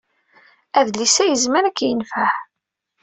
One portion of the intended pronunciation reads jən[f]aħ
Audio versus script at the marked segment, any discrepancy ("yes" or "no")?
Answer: no